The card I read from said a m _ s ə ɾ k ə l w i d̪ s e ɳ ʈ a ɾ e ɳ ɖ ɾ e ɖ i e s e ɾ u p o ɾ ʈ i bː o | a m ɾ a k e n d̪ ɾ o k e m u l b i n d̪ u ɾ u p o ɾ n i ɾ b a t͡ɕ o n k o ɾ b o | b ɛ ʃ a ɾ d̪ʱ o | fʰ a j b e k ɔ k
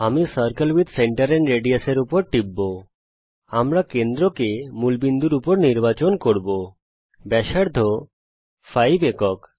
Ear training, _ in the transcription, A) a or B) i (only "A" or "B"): B